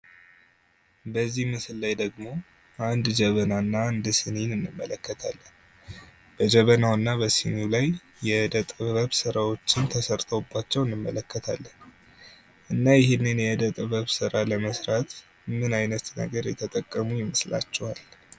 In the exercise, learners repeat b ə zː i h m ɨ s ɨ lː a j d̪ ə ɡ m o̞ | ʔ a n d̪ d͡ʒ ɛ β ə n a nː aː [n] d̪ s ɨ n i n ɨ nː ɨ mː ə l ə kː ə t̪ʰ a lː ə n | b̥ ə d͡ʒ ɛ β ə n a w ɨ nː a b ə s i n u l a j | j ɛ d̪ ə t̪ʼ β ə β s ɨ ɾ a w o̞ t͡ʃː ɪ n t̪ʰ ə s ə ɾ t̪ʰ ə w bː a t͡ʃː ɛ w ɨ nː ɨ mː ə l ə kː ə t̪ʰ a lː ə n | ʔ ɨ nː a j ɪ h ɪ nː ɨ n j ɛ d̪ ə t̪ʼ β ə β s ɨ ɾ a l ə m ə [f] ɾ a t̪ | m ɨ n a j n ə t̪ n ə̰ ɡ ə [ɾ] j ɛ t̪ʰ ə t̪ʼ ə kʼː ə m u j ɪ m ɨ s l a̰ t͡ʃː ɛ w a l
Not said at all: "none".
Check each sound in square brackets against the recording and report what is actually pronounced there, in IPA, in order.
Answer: n, s, ɾ

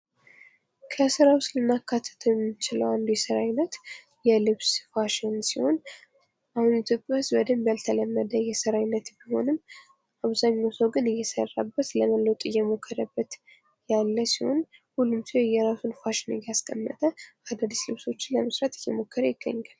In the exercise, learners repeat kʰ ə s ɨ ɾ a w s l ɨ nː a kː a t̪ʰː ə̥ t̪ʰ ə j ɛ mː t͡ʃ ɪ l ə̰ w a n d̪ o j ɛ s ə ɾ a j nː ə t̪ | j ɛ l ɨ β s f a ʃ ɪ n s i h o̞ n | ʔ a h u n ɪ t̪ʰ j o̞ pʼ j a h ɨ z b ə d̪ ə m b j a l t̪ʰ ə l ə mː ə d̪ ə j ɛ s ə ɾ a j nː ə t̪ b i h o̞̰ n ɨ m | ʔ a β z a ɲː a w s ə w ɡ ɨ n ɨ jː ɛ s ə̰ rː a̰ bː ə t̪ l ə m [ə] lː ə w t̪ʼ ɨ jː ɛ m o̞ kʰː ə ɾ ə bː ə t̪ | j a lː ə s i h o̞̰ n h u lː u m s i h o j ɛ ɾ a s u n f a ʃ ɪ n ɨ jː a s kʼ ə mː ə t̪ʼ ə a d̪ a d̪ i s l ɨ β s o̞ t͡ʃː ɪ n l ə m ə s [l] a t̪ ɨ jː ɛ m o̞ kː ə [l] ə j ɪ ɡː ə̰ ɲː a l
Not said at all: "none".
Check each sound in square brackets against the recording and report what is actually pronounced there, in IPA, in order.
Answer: ə, ɾ, ɾ

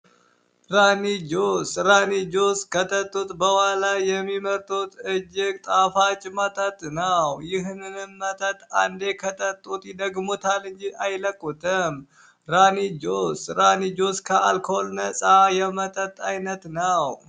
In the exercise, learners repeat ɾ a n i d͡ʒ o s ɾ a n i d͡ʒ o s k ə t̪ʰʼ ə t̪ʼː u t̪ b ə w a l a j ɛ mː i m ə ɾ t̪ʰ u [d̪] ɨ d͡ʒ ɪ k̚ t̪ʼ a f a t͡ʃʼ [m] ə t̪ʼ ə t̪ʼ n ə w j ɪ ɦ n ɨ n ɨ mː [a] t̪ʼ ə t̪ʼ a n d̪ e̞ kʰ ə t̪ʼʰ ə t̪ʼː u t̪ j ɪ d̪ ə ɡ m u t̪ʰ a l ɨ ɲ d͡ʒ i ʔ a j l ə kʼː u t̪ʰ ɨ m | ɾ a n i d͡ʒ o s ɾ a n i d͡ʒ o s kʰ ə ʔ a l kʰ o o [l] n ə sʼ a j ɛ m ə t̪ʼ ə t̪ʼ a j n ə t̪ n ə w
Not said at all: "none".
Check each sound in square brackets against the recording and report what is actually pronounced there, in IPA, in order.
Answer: t̪, m, ə, l

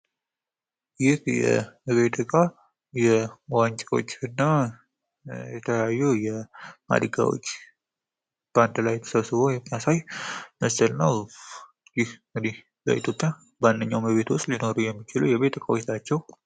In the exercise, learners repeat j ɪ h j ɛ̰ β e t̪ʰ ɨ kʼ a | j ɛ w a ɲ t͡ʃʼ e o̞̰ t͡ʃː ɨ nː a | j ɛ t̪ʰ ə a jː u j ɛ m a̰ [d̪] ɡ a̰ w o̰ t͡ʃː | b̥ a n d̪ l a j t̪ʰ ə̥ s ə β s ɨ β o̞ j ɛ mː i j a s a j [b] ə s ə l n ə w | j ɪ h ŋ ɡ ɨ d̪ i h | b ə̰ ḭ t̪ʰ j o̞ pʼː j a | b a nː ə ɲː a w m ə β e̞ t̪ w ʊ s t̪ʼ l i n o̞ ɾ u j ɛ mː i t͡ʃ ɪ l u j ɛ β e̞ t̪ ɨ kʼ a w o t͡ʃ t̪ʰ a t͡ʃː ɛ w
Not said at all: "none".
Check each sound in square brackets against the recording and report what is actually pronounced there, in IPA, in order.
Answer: d̪, m

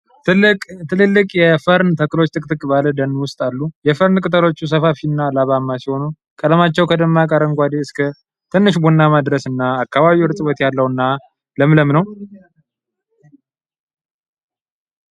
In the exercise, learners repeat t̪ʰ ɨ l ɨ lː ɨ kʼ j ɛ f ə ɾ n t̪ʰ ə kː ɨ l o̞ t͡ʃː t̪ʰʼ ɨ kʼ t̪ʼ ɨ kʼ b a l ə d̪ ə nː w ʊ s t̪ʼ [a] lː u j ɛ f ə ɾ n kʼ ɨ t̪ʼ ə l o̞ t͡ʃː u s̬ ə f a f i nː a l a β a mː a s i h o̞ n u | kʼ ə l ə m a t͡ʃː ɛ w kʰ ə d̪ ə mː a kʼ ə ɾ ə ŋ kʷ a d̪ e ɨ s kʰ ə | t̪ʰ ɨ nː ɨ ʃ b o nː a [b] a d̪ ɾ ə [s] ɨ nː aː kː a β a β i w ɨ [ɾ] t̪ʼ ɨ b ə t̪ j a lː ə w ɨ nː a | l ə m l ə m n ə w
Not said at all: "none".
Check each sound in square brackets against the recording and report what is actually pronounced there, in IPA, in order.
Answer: a, m, s, ɾ

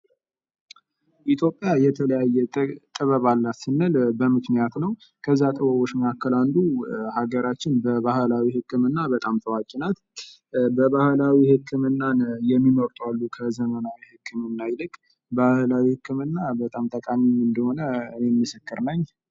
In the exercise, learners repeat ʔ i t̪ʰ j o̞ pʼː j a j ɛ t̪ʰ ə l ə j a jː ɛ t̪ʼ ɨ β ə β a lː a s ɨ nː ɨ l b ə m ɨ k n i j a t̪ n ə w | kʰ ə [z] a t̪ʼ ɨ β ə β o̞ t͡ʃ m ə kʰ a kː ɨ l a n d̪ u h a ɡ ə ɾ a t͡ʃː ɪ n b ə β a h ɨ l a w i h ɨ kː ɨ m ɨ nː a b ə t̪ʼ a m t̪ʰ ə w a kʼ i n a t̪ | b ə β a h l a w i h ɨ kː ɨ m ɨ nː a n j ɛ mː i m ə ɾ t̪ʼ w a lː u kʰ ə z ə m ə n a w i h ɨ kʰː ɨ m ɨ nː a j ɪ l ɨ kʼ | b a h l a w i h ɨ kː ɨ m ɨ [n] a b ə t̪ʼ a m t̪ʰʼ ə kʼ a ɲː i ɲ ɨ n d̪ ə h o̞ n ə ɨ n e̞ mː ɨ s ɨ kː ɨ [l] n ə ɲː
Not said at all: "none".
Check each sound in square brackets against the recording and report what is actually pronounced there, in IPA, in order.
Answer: zː, nː, ɾ

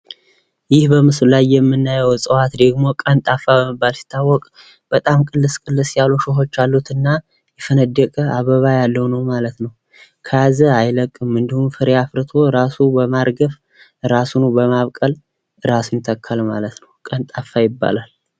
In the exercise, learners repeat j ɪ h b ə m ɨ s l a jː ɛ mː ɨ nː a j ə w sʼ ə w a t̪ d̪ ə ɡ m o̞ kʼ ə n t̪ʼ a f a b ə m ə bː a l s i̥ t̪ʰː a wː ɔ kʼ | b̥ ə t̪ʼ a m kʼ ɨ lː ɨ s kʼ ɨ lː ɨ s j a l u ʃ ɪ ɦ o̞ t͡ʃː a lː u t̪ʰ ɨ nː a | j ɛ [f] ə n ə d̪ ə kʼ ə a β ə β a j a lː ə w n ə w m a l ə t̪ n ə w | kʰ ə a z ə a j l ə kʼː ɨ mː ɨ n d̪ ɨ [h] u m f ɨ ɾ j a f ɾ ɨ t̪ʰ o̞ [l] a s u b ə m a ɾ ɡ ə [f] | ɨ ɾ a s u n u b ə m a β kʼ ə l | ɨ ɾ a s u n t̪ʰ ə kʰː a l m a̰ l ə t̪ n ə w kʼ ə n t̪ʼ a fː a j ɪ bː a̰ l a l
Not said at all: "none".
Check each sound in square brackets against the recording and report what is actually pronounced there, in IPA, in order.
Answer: f, h, ɾ, f

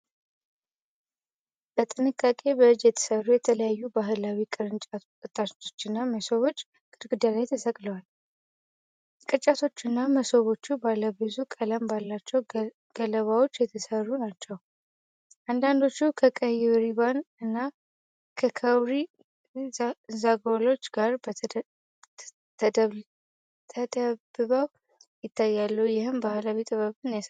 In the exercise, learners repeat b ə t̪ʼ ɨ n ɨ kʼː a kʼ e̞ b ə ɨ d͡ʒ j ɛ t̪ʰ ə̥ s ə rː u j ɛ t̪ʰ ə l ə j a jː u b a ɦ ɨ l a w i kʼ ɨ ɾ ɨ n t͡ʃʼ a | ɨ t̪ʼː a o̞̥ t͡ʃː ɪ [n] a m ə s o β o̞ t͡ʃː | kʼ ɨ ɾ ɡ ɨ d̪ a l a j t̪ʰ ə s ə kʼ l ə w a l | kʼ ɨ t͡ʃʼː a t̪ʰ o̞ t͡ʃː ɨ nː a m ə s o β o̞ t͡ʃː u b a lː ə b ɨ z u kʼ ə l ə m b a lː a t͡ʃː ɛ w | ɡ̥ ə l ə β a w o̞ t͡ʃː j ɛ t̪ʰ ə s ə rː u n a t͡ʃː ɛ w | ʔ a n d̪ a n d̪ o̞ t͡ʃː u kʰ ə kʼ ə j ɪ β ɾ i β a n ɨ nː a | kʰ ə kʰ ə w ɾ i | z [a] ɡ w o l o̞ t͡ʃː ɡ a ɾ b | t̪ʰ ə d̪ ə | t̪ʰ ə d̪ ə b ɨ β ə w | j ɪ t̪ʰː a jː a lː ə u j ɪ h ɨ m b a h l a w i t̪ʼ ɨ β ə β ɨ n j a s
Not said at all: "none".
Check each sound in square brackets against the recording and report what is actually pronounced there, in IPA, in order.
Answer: nː, a

